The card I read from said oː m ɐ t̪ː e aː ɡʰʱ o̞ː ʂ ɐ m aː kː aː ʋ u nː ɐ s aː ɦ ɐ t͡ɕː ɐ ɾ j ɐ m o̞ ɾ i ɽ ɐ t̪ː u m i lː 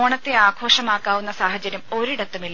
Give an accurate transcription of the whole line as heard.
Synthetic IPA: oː ɳ ɐ t̪ː e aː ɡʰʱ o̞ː ʂ ɐ m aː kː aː ʋ u nː ɐ s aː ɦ ɐ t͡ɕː ɐ ɾ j ɐ m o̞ ɾ i ɽ ɐ t̪ː u m i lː